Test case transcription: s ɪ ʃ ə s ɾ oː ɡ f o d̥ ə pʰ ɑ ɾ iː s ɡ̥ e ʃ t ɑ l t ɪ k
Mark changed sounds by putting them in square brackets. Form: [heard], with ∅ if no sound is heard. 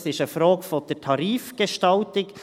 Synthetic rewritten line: s ɪ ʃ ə [f] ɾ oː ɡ f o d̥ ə [tʰ] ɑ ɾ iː [f] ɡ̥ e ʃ t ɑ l t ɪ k